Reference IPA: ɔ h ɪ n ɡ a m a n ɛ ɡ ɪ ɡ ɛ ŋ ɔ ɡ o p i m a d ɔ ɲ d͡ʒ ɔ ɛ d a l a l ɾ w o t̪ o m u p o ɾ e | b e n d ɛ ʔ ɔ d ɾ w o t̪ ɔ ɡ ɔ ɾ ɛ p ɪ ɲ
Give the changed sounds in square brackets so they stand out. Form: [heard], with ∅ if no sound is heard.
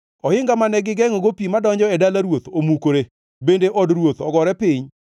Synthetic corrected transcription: ɔ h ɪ [ŋ] ɡ a m a n ɛ ɡ ɪ ɡ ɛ ŋ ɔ ɡ o p i m a d ɔ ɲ d͡ʒ ɔ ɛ d a l a [∅] ɾ w o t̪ o m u [k] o ɾ e | b e n d [e] ʔ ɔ d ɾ w o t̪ ɔ ɡ ɔ ɾ ɛ p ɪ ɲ